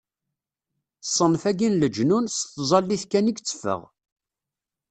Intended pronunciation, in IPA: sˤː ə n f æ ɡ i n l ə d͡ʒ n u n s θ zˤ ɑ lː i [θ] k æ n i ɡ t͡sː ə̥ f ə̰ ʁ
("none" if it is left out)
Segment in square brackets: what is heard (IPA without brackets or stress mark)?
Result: θ